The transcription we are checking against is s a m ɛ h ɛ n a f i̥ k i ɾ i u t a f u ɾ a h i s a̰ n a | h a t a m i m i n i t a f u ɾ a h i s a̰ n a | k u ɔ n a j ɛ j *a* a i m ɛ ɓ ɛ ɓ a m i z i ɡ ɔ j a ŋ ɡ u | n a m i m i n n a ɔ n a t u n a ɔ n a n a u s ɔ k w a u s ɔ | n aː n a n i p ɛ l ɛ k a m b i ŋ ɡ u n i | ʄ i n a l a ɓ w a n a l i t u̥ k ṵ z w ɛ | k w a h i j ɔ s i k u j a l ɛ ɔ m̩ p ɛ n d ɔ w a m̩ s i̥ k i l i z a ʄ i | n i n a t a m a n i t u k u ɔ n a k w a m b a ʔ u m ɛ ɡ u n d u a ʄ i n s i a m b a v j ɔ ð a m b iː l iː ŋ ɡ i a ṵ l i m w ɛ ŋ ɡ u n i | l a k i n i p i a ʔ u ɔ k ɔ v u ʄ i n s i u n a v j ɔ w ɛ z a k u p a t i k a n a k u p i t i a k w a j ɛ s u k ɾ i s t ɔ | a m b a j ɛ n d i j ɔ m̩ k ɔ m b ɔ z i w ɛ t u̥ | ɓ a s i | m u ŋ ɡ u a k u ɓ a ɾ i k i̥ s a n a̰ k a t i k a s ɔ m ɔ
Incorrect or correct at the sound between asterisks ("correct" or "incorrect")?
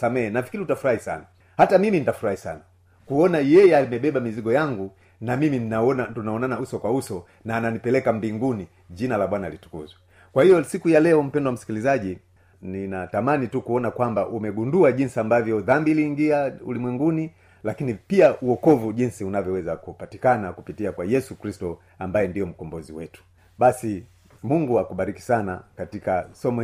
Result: incorrect